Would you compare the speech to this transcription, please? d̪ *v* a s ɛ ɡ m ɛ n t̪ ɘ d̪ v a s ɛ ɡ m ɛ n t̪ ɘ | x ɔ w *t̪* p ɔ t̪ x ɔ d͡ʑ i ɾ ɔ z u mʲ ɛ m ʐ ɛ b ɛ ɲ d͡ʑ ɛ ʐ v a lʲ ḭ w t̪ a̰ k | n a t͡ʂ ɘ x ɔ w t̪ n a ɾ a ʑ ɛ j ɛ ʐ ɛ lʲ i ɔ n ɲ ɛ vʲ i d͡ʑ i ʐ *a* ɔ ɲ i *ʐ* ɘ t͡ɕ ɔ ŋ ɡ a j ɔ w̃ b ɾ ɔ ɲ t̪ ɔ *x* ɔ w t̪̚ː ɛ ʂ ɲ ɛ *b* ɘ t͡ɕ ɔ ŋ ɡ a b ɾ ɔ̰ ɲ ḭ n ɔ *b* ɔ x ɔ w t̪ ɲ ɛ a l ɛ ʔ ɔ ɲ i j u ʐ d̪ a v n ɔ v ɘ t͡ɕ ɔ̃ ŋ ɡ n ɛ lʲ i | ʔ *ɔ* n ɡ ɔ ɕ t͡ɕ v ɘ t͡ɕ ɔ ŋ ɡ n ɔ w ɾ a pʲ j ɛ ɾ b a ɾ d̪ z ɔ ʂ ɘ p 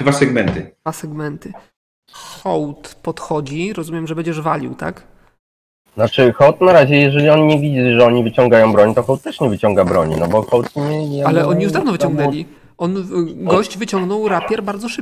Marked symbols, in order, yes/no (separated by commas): yes, yes, no, no, yes, no, yes, yes